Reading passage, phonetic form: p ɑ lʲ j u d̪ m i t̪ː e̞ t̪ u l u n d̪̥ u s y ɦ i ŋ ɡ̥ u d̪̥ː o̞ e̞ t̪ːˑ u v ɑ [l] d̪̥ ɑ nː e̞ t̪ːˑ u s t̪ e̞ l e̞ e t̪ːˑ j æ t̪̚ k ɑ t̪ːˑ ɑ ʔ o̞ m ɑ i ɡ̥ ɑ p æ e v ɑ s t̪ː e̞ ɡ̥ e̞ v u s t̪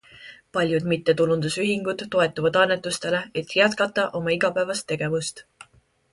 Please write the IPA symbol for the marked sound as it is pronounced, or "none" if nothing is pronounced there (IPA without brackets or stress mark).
none